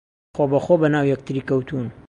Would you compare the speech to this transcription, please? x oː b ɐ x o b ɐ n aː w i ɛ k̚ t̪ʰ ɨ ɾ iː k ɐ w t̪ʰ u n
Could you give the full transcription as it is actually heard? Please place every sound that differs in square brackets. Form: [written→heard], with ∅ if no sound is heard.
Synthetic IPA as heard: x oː b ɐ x o b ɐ n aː w [i→j] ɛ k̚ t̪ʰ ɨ ɾ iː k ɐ w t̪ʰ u n